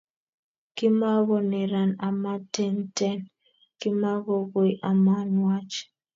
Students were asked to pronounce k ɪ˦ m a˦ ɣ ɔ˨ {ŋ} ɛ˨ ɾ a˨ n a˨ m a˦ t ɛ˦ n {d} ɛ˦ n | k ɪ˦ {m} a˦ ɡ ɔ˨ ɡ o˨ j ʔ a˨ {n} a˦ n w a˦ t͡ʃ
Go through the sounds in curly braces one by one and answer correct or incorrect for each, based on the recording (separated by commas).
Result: incorrect, incorrect, correct, incorrect